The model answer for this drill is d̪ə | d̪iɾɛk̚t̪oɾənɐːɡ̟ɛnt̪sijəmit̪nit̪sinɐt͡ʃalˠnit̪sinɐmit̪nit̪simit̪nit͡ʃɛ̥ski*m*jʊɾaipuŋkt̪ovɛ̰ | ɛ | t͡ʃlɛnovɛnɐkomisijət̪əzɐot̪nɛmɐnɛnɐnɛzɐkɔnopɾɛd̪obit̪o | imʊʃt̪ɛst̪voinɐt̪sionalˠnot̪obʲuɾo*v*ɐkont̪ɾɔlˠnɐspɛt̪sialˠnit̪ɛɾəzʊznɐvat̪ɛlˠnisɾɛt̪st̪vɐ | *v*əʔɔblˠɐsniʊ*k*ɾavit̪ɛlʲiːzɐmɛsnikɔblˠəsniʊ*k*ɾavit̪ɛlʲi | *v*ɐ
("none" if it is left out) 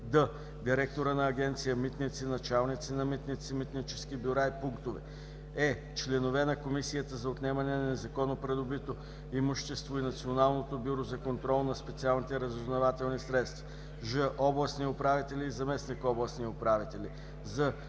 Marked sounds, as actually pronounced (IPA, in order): b, z, ʒ, p, p, z

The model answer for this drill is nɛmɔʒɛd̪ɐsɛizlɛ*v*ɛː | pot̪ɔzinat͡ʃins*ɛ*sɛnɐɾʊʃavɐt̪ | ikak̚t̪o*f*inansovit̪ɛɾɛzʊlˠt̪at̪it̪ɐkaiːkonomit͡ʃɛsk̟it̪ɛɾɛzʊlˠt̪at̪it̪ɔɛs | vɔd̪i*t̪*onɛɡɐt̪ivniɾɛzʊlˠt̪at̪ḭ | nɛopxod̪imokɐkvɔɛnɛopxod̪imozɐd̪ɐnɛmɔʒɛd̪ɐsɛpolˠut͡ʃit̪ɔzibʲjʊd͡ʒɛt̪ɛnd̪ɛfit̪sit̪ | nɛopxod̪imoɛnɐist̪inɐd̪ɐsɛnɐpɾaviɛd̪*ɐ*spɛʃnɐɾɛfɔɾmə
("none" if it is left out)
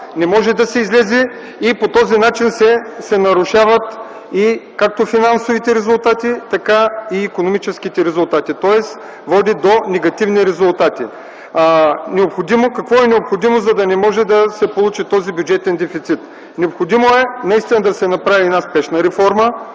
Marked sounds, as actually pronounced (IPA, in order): z, ɛ, f, d̪, a

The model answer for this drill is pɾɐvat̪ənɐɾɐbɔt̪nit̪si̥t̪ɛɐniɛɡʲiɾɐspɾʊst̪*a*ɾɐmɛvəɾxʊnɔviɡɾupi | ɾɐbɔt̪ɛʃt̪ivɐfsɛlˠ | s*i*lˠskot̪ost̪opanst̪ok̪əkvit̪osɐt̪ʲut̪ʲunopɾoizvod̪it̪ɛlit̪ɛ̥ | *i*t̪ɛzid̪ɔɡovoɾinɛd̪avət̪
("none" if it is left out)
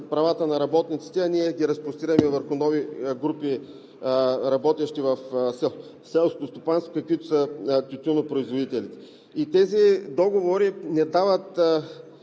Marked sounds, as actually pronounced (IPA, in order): i, ɛ, i

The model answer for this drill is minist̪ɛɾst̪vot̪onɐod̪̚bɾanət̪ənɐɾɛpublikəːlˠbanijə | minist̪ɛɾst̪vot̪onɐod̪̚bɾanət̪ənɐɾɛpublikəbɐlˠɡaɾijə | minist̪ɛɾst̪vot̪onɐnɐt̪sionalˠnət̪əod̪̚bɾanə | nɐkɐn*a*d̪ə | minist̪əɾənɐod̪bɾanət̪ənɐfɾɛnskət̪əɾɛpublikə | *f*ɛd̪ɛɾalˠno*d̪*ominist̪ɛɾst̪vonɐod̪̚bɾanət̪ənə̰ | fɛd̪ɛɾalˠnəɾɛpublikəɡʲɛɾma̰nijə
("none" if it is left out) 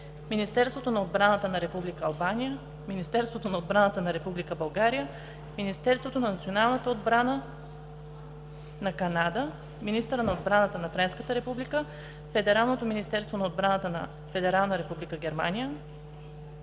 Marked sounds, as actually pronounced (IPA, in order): a, f, t̪

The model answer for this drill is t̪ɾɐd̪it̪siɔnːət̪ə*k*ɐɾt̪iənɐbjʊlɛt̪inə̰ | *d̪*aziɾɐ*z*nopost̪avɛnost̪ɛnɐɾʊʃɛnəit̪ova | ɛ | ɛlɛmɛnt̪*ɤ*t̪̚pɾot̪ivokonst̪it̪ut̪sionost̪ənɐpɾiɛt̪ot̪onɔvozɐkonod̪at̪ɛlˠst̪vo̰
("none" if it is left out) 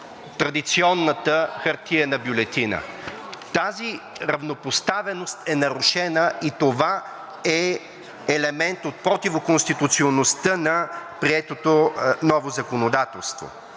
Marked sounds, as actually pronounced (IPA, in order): x, t̪, v, o

